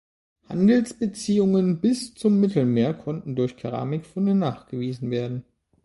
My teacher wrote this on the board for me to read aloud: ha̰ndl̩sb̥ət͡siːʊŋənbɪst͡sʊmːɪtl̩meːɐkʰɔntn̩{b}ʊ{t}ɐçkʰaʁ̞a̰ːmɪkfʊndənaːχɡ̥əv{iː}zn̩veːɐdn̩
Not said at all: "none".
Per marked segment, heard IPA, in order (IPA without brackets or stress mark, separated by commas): d, none, iː